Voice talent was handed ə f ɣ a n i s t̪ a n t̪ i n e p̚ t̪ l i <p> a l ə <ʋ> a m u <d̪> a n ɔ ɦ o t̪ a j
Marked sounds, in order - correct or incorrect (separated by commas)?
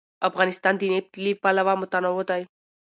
correct, correct, incorrect